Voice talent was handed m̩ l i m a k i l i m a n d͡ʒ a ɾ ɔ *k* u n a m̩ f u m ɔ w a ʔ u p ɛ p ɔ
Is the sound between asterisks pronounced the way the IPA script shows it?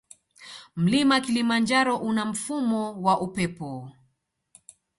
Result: no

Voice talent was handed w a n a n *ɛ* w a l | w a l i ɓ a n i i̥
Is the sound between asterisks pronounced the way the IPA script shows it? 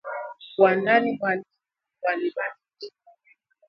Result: no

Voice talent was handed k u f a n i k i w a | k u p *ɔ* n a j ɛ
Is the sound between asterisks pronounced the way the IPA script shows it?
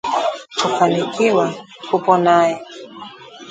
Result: yes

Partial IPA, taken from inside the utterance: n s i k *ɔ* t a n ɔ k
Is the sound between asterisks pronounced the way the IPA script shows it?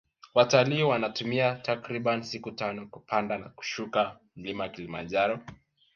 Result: no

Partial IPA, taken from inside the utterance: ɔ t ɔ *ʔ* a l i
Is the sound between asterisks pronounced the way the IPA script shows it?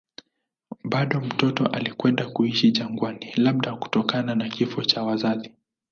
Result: yes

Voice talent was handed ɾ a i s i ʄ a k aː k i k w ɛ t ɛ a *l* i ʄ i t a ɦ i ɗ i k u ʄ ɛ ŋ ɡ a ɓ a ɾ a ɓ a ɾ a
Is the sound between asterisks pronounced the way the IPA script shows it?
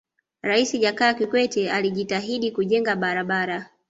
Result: yes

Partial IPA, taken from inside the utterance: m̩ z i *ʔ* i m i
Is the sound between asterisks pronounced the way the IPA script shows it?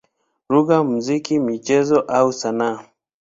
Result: no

